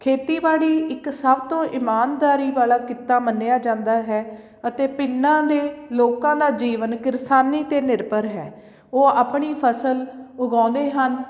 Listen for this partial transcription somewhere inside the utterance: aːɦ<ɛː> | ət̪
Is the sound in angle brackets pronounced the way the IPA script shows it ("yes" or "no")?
yes